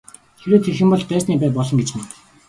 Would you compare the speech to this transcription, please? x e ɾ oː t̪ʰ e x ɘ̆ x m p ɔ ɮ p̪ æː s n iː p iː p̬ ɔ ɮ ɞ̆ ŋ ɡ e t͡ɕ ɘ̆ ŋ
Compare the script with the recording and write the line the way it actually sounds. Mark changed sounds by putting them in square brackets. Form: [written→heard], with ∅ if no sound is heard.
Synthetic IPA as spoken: x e ɾ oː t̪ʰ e x ɘ̆ [x→∅] m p ɔ ɮ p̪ æː s n iː p [iː→æː] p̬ ɔ ɮ ɞ̆ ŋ ɡ e t͡ɕ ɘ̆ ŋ

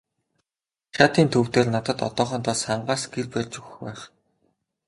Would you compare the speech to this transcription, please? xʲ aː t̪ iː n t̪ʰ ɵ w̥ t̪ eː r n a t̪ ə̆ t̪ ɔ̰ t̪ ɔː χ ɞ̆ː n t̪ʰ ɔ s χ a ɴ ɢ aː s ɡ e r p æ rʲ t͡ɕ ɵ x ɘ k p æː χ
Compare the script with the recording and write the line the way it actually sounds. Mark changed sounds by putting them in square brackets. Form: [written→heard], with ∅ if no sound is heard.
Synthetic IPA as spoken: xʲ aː t̪ iː n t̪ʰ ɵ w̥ t̪ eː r n a t̪ ə̆ t̪ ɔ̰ t̪ ɔː χ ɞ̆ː n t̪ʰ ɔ s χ a ɴ ɢ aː s ɡ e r p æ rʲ t͡ɕ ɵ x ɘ [k→x] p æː χ

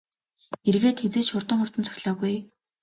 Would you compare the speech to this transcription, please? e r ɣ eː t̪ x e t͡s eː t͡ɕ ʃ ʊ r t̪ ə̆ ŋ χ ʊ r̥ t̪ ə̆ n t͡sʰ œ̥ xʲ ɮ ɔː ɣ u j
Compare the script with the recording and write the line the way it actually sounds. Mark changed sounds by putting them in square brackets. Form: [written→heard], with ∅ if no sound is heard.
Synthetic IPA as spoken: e r ɣ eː t̪ x e t͡s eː t͡ɕ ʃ ʊ r t̪ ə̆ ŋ χ ʊ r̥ t̪ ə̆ n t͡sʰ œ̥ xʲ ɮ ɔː ɣ u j

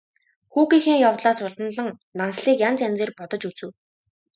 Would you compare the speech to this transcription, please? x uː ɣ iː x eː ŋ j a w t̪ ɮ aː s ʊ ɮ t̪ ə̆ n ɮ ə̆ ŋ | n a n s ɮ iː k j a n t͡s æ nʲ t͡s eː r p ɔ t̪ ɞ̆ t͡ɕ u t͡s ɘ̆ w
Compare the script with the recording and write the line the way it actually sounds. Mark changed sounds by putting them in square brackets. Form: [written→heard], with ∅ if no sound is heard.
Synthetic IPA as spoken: x uː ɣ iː x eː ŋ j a w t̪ ɮ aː s ʊ ɮ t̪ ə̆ n ɮ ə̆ ŋ | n a n s ɮ iː k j a n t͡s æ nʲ t͡s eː r p ɔ t̪ ɞ̆ t͡ɕ u t͡s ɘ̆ w

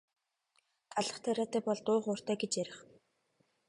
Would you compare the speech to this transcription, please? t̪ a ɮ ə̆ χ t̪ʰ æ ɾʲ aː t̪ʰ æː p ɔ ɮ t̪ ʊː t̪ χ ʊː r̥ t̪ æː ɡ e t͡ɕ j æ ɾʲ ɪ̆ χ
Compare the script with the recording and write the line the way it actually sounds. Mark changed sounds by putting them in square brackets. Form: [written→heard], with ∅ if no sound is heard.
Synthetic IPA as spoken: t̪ a ɮ ə̆ χ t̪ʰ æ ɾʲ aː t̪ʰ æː p ɔ ɮ t̪ ʊː [t̪→∅] χ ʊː r̥ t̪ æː ɡ e t͡ɕ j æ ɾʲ ɪ̆ χ

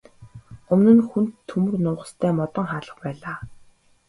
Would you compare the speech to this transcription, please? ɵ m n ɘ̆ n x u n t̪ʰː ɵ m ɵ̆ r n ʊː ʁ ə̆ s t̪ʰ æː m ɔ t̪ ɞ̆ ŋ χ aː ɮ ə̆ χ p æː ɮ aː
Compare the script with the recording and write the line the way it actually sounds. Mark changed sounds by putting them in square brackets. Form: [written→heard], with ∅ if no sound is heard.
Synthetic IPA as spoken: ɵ m n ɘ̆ n x u n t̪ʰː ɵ m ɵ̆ r n ʊː ʁ ə̆ s t̪ʰ æː m ɔ t̪ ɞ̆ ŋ χ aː ɮ ə̆ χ p æː ɮ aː

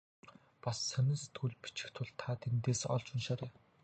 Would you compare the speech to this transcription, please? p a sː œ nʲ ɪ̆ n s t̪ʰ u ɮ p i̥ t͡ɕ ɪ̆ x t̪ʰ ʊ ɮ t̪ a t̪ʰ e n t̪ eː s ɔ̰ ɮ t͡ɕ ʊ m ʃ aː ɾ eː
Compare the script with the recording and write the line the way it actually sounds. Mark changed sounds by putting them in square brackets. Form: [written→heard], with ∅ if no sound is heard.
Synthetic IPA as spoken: p a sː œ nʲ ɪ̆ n s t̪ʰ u ɮ p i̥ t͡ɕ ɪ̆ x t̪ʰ ʊ ɮ [t̪→t̪ʰ] a t̪ʰ e n t̪ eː s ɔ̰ ɮ t͡ɕ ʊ [m→n] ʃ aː ɾ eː

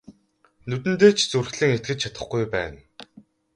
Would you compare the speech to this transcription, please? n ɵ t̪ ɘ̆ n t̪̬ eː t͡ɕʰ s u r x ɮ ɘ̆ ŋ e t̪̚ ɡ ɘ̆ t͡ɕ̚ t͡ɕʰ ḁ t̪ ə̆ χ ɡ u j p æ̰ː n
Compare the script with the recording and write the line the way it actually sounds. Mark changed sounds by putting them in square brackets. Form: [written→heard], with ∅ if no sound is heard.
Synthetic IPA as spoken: n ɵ t̪ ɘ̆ n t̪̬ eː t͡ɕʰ [s→t͡s] u r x ɮ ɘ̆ ŋ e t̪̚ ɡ ɘ̆ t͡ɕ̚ t͡ɕʰ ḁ t̪ ə̆ χ ɡ u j p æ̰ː n

